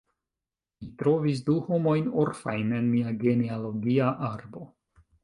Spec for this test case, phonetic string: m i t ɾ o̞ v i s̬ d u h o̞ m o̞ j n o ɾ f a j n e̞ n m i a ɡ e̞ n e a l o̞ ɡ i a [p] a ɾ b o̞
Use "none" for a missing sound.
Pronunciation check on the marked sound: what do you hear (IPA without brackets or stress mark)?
ʔ